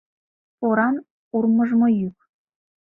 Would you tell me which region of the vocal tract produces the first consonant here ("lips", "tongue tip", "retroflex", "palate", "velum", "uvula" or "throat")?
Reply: tongue tip